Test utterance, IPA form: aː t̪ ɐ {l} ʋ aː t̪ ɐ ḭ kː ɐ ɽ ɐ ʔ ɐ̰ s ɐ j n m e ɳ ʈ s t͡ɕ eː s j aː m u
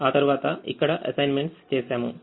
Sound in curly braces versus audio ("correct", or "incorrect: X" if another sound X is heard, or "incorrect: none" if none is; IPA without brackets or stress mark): incorrect: ɾ